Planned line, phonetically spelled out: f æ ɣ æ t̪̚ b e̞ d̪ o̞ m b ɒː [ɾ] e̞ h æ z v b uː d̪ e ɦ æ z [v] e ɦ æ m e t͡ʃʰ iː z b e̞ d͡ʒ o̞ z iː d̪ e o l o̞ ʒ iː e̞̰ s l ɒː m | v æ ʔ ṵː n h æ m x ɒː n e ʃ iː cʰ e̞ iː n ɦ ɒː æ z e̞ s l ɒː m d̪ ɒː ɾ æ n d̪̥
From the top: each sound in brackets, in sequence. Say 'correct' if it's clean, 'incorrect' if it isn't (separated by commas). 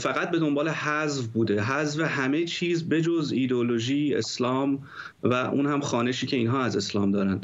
incorrect, correct